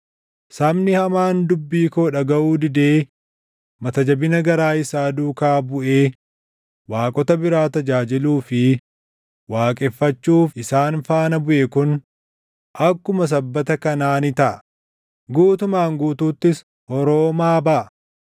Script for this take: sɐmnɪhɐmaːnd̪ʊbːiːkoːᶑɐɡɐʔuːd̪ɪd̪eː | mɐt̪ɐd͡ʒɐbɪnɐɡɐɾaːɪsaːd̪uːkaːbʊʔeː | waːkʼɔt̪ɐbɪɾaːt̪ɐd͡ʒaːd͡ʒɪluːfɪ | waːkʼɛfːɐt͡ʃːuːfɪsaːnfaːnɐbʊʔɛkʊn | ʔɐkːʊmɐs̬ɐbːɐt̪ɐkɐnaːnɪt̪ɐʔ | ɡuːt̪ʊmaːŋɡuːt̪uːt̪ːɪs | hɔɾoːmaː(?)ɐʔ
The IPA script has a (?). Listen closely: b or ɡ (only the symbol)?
b